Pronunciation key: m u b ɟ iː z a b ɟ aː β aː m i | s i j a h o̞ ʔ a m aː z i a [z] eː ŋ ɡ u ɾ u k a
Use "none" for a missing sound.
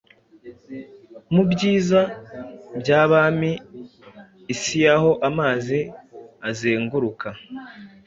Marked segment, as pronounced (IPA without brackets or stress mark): z